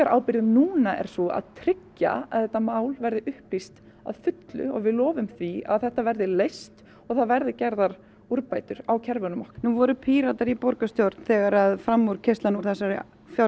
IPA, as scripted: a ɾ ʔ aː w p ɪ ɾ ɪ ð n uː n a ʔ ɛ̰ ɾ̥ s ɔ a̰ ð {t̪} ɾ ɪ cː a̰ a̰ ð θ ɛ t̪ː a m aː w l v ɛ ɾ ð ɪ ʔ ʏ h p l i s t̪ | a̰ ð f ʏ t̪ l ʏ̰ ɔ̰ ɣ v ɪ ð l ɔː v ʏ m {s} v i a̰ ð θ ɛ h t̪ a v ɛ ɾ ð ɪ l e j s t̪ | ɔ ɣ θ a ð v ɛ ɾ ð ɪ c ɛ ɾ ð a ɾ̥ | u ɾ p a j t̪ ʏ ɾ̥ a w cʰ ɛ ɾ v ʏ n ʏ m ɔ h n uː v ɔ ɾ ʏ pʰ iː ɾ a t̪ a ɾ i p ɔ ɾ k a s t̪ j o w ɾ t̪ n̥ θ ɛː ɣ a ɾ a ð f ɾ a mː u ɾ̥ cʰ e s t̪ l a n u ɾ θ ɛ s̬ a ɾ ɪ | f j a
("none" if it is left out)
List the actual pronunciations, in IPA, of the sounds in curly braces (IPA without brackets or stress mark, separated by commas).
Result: t̪ʰ, θ